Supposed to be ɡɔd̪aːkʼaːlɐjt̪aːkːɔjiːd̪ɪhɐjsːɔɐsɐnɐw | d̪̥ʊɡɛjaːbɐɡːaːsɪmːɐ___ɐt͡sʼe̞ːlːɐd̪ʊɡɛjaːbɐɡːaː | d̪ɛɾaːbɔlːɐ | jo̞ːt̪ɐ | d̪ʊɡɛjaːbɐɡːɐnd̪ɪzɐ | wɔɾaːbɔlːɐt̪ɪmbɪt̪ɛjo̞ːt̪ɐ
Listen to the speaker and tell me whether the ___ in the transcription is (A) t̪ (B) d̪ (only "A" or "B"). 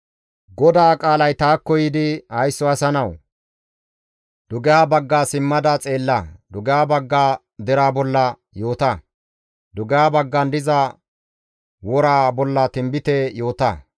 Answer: B